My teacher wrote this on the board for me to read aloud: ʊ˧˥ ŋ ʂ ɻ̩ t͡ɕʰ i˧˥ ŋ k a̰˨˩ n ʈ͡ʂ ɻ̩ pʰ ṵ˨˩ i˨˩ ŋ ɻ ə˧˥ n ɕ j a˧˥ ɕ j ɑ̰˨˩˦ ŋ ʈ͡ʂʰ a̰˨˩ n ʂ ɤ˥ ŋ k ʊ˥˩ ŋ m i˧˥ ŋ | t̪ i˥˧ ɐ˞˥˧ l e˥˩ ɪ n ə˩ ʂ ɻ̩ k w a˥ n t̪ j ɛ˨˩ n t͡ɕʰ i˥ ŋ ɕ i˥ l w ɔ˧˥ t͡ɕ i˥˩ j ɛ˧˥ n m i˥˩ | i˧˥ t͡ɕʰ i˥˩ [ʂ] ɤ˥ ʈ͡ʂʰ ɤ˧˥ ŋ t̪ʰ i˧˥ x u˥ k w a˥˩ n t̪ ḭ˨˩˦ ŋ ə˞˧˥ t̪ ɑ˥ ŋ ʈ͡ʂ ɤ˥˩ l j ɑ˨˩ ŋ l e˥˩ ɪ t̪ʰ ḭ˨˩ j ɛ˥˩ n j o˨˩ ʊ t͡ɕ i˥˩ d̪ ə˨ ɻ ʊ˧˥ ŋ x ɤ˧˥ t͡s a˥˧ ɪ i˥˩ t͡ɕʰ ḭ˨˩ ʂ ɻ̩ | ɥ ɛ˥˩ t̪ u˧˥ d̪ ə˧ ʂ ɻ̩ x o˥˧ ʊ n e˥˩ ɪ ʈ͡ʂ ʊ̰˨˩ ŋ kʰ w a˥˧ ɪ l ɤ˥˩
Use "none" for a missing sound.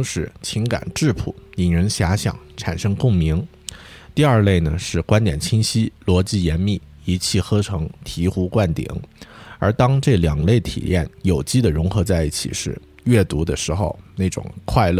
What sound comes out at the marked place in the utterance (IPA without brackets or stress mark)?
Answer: x